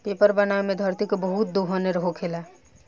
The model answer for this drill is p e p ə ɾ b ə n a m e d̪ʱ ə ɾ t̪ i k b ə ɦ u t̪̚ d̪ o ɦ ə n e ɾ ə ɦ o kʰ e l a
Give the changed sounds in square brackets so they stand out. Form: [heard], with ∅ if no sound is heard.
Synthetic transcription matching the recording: p e p ə ɾ b ə n a m e d̪ʱ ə ɾ t̪ i k b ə ɦ u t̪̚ d̪ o ɦ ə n e ɾ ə ɦ o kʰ e l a